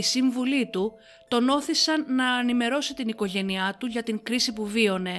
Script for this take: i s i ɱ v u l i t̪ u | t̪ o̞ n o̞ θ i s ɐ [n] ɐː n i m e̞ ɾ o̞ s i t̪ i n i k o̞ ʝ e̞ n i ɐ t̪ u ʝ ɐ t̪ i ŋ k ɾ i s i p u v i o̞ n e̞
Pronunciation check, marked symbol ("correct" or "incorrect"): incorrect